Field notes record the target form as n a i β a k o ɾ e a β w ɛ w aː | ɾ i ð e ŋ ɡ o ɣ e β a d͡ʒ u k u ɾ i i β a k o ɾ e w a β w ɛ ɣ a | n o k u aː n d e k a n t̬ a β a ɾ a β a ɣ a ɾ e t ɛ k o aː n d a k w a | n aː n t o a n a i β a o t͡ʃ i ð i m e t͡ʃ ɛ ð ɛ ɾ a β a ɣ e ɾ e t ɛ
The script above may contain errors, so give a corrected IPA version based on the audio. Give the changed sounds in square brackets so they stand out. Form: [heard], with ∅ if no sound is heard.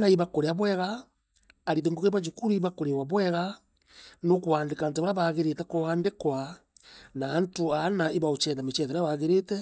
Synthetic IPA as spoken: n a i β a k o ɾ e a β w ɛ [ɣ] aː | ɾ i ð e ŋ ɡ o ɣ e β a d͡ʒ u k u ɾ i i β a k o ɾ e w a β w ɛ ɣ a | n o k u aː n d e k a n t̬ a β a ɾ a β a ɣ [e] ɾ e t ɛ k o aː n d [e] k w a | n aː n t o a n a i β a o t͡ʃ [ɛ] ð [a] m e t͡ʃ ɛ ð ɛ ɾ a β a ɣ e ɾ e t ɛ